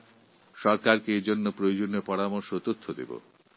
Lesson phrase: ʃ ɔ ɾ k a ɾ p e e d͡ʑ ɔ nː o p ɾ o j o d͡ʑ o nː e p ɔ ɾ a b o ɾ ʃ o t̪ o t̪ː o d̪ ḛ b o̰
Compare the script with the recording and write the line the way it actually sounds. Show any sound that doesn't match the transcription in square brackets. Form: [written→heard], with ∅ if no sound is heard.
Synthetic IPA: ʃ ɔ ɾ k a ɾ [p→k] e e d͡ʑ [ɔ→o] nː o p ɾ o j o d͡ʑ o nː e p ɔ ɾ a [b→m] o ɾ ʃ o t̪ o [t̪ː→t̪ʰː] o d̪ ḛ b o̰